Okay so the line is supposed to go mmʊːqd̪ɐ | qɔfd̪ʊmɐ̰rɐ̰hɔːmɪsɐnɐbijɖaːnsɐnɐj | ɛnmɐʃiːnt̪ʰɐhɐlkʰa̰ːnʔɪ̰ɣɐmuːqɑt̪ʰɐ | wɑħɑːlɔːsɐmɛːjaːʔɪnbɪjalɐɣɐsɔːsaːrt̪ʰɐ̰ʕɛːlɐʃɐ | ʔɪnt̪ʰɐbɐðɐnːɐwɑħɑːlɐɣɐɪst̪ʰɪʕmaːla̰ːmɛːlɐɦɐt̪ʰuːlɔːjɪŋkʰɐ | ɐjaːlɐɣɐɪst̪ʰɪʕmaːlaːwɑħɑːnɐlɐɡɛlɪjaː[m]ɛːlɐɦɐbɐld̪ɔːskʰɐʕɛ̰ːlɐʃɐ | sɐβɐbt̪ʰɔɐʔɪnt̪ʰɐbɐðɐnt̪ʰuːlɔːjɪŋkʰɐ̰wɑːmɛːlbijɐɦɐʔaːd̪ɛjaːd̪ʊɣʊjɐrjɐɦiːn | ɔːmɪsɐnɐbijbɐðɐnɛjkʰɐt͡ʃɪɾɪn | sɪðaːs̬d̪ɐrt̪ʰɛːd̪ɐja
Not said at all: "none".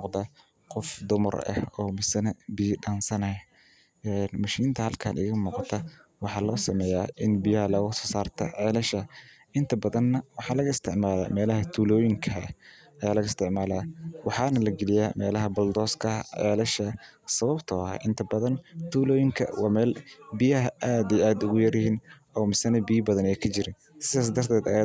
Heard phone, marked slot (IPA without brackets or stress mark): m